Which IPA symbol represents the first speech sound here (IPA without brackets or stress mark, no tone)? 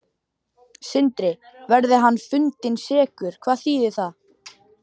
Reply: s